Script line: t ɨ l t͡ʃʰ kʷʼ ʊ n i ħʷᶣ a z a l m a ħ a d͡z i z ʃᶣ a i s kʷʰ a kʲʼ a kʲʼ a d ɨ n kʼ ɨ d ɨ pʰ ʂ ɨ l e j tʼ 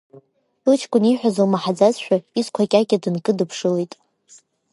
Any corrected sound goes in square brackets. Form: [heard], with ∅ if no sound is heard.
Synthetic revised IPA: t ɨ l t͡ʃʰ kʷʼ ʊ n i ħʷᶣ a z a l m a ħ a d͡z [a] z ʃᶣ a i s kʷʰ a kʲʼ a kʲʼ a d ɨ n kʼ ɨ d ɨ pʰ ʂ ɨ l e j tʼ